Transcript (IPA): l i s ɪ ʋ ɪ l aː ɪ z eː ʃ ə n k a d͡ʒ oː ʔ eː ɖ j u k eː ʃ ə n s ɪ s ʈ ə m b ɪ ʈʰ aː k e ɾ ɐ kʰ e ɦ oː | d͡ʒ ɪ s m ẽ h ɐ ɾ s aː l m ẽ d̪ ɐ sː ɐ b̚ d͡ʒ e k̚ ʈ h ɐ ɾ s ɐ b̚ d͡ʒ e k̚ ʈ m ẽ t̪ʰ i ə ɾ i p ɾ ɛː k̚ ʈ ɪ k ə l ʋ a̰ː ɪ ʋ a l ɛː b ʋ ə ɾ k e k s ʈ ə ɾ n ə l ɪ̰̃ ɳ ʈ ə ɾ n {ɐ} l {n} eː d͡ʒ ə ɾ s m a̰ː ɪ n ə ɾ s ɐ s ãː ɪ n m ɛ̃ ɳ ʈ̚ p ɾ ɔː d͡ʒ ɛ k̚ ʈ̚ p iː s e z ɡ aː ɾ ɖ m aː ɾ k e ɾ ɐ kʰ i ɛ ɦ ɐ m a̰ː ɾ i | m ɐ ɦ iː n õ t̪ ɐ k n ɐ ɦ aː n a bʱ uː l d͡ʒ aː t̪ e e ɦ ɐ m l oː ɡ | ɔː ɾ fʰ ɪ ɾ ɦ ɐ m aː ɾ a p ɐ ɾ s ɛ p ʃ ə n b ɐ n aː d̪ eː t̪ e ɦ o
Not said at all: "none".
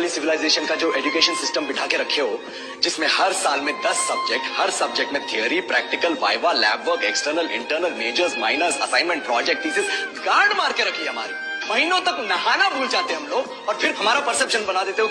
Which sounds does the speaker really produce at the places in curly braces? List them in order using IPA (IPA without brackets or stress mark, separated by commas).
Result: ə, m